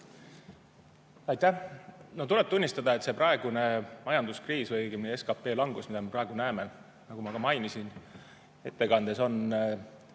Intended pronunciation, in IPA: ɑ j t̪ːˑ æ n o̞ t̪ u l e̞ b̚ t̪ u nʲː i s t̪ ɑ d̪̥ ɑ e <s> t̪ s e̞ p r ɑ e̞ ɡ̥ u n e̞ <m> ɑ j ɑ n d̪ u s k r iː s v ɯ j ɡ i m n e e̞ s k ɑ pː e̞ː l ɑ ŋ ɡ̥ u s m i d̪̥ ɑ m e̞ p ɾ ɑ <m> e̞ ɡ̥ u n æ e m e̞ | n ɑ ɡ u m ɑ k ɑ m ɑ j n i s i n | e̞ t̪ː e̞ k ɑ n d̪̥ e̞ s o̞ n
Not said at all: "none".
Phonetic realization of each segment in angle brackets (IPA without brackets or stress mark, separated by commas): none, m, none